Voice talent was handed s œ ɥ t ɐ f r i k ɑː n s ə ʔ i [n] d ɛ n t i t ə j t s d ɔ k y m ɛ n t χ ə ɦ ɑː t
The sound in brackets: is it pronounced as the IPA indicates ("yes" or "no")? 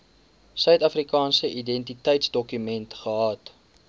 no